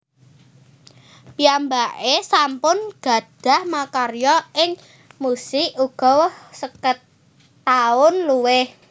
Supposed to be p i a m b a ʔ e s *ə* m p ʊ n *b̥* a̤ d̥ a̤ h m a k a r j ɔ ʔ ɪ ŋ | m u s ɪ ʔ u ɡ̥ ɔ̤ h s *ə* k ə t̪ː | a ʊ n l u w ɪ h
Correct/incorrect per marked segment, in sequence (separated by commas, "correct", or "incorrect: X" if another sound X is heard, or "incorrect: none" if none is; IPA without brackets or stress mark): incorrect: a, incorrect: ɡ̥, correct